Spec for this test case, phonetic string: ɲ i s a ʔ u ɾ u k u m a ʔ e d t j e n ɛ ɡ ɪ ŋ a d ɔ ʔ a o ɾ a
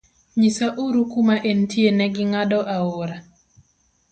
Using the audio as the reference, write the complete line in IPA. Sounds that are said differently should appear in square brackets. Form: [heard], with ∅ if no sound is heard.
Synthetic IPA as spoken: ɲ i s a ʔ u ɾ u k u m a ʔ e [n] t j e n ɛ ɡ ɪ ŋ a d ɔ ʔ a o ɾ a

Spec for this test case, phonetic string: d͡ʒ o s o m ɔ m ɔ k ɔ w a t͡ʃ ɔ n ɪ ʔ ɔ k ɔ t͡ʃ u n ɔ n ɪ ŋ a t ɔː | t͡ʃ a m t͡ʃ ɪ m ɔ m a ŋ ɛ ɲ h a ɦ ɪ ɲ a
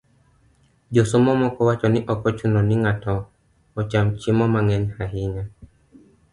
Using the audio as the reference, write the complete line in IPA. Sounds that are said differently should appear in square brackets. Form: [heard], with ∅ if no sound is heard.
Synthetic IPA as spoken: d͡ʒ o s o m ɔ m ɔ k ɔ w a t͡ʃ ɔ n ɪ ʔ ɔ k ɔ t͡ʃ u n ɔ n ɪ ŋ a t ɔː | t͡ʃ a m t͡ʃ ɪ m ɔ m a ŋ ɛ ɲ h a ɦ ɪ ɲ a

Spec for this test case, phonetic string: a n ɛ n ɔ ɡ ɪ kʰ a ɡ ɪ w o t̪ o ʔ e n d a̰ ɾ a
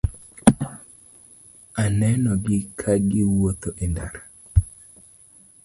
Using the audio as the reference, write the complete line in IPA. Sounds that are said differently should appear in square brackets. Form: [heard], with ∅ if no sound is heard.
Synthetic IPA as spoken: a n ɛ n ɔ ɡ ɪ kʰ a ɡ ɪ w o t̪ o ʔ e n d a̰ ɾ a

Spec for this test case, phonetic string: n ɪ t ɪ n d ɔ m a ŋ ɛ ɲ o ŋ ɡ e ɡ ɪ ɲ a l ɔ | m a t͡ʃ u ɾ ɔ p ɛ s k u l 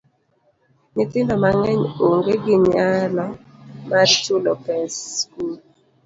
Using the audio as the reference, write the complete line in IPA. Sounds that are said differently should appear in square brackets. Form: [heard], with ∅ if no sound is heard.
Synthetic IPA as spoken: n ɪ t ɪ n d ɔ m a ŋ ɛ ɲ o ŋ ɡ e ɡ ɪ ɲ a l ɔ | m a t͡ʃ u [l] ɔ p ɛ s k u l

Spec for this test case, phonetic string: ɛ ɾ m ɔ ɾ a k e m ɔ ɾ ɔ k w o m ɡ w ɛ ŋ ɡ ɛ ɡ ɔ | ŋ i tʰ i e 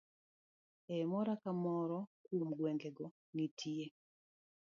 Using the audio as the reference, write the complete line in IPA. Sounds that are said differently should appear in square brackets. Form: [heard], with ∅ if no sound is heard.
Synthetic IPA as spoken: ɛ [∅] m ɔ ɾ a k [a] m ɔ ɾ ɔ k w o m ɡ w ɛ ŋ ɡ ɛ ɡ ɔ | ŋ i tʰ i e

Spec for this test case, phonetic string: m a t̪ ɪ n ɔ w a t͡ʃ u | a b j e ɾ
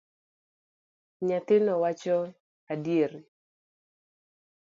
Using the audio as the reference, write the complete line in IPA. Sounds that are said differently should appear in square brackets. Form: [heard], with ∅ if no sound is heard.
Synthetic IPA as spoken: [ɲ] a t̪ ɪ n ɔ w a t͡ʃ [ɔ] | a [d] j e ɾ

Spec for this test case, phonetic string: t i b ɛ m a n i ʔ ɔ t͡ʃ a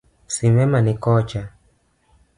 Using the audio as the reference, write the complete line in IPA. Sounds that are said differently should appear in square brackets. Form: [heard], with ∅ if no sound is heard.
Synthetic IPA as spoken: [s] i [m] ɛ m a n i [k] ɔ t͡ʃ a

